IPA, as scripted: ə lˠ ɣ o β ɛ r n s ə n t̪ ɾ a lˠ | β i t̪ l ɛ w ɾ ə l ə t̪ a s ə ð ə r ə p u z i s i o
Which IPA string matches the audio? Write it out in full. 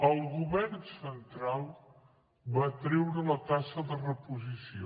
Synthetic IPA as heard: ə lˠ ɣ u β ɛ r n s ə n t̪ ɾ a lˠ | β a t̪ ɾ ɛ w ɾ ə l ə t̪ a s ə ð ə r ə p u z i s i o